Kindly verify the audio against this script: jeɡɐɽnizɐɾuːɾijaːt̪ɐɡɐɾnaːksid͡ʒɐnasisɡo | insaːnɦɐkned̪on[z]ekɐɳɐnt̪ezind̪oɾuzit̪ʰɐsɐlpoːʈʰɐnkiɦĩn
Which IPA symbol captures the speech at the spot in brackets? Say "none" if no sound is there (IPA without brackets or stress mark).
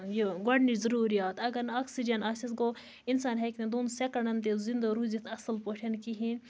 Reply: s